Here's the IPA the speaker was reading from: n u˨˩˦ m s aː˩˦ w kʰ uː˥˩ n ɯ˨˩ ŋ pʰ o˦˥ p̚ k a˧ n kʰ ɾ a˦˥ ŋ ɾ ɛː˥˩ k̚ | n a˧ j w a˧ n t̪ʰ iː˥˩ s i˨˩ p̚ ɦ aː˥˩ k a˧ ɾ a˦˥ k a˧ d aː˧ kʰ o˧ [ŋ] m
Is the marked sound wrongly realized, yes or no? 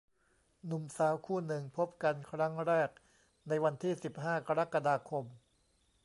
yes